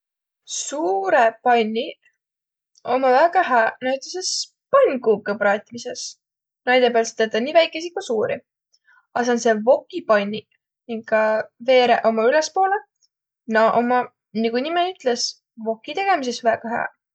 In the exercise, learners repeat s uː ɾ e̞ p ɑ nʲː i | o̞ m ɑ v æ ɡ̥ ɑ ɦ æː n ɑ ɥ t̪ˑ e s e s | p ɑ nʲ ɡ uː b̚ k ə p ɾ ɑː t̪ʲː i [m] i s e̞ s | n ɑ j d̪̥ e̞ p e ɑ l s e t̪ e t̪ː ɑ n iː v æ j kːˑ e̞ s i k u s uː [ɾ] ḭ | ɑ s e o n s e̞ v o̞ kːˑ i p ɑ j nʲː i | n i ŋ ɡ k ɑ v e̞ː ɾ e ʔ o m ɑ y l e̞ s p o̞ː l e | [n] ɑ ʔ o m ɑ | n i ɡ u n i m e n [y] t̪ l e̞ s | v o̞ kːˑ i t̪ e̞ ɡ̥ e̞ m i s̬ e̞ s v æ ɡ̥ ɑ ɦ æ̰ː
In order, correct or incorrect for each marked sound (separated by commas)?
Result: correct, correct, correct, correct